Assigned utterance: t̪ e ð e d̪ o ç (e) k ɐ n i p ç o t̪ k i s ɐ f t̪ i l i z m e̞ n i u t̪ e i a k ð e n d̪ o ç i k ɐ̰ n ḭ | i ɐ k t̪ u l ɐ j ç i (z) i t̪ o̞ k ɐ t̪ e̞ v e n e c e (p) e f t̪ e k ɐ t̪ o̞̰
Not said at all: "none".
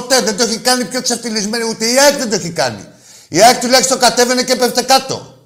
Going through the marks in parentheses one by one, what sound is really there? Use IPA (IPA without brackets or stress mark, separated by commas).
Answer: i, s, p